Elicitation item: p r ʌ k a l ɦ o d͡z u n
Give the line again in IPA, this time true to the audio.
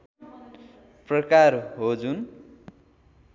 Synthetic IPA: p r ʌ k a r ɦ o d͡z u n